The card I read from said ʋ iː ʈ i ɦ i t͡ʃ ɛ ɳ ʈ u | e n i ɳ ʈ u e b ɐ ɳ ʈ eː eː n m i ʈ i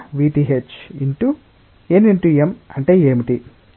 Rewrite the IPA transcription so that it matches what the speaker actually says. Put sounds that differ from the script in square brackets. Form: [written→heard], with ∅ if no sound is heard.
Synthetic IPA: ʋ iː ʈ i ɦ [i→e] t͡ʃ [ɛ→i] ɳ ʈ u | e n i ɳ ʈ u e [b→m] ɐ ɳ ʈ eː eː [n→∅] m i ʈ i